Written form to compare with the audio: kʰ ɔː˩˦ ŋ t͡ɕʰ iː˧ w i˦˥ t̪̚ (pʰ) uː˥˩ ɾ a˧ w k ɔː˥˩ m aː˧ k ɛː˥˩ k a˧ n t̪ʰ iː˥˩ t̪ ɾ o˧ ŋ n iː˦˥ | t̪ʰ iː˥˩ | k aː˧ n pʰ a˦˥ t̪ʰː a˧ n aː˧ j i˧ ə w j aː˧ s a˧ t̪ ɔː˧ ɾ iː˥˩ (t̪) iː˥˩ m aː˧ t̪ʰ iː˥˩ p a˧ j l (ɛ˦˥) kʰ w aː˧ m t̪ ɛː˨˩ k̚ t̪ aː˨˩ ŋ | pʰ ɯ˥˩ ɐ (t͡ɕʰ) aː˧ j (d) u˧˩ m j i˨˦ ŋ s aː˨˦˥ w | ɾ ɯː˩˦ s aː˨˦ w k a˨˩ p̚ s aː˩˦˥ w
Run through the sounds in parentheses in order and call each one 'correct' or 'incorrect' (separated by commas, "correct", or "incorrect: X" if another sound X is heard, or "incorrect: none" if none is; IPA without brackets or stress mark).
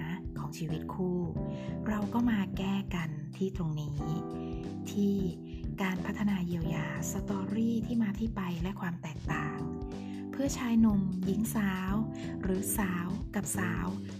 incorrect: kʰ, incorrect: t̪ʰ, correct, correct, incorrect: n